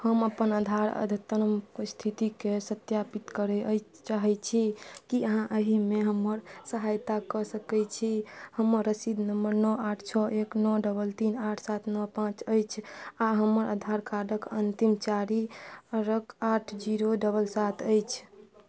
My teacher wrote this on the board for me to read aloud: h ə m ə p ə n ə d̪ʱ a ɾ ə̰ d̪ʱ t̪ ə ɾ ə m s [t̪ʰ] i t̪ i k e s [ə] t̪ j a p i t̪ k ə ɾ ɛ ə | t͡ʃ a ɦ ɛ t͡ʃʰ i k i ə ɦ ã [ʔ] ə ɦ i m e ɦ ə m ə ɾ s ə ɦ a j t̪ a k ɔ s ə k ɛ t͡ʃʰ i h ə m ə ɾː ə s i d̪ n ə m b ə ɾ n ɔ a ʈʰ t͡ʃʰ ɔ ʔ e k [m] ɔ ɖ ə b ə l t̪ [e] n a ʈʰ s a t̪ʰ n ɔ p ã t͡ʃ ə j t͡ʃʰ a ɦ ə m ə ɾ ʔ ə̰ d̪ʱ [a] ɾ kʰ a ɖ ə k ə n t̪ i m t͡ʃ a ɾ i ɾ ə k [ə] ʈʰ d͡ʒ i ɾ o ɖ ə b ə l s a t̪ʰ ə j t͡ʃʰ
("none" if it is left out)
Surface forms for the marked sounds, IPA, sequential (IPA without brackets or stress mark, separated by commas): t̪ʰ, ə, ʔ, n, i, a, a